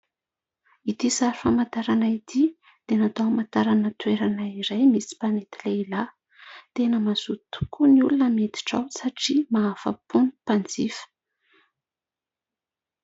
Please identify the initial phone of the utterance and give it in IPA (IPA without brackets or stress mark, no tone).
i